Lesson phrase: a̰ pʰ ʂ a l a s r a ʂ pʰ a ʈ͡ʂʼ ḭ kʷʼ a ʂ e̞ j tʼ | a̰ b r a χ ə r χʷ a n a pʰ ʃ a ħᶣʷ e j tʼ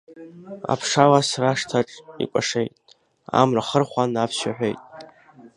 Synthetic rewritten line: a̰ pʰ ʂ a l a s r a ʂ tʰ a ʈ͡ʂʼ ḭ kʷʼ a ʂ e̞ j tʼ | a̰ m r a χ ə r χʷ a n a pʰ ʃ a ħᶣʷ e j tʼ